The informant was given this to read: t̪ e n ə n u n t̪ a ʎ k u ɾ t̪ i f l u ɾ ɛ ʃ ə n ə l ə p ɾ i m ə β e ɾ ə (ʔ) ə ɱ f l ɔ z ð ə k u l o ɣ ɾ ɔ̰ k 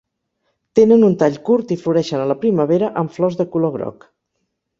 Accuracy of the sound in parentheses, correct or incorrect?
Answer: correct